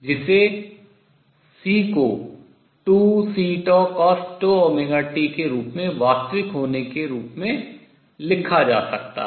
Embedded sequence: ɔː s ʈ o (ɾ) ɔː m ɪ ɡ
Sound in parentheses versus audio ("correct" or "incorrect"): incorrect